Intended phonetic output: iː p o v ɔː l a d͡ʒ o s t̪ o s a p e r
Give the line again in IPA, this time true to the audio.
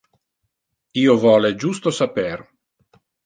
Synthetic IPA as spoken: iː o v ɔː l e d͡ʒ u s t̪ o s a p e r